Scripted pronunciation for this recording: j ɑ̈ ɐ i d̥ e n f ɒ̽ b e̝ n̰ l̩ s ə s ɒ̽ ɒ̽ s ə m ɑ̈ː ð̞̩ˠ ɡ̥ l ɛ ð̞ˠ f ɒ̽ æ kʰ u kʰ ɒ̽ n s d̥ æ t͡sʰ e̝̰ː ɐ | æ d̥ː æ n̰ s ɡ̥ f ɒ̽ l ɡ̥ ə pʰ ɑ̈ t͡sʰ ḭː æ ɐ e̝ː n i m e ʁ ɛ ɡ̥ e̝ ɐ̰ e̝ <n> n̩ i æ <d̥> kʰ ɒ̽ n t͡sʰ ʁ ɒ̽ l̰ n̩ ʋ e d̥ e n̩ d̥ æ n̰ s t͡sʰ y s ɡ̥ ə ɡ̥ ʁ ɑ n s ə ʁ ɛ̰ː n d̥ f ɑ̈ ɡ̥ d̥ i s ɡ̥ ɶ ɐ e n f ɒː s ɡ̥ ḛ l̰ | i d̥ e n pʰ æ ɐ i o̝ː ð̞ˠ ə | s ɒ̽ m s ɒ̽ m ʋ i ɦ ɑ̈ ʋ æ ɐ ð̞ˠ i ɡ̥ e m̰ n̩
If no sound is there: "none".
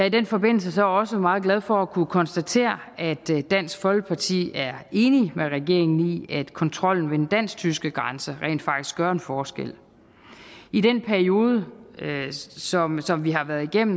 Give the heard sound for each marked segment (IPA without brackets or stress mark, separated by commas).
ŋ, d̥